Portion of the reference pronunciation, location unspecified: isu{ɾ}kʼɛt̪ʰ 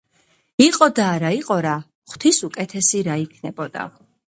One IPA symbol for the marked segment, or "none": none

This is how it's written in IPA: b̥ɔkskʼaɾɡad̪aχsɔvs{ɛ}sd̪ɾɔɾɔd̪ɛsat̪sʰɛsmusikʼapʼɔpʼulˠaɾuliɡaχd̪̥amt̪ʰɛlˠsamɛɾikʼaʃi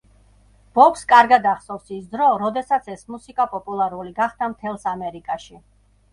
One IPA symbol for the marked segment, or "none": i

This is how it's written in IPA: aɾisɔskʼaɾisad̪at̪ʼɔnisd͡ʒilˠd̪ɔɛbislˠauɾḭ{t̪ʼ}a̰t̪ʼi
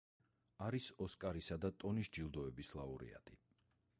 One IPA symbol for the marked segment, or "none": none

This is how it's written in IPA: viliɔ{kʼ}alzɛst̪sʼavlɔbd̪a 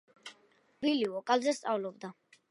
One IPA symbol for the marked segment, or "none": kʼ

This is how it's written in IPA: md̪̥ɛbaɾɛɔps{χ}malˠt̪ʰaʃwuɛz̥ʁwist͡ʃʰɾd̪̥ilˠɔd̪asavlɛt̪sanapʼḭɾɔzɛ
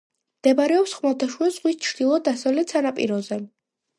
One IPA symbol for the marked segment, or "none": χ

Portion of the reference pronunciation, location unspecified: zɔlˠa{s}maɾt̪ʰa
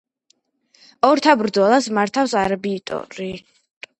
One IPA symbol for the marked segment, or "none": s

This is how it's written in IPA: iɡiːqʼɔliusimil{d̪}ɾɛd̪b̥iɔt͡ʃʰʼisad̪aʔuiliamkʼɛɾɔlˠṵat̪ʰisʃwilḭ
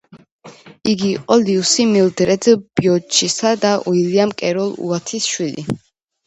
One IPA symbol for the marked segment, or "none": d̪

